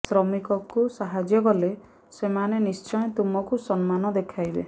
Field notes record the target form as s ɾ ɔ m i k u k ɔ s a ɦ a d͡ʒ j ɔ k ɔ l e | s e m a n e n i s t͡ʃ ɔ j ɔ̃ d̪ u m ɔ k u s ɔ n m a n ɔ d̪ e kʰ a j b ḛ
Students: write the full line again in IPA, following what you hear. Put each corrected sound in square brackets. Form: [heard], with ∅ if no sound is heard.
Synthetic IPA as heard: s ɾ ɔ m i k [ɔ] k [u] s a ɦ a d͡ʒ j ɔ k ɔ l e | s e m a n e n i s t͡ʃ ɔ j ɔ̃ [t̪] u m ɔ k u s ɔ n m a n ɔ d̪ e kʰ a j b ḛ